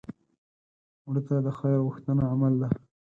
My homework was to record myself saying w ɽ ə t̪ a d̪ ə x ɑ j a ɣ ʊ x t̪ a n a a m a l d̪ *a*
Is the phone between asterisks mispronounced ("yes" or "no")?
no